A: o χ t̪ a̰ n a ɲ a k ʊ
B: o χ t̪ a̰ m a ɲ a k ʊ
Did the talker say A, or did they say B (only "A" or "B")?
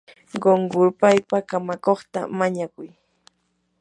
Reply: B